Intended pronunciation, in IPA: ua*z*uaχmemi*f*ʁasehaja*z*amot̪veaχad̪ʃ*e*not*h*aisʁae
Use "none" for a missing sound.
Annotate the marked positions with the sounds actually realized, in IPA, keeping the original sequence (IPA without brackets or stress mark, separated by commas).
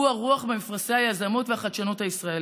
ʁ, f, z, a, h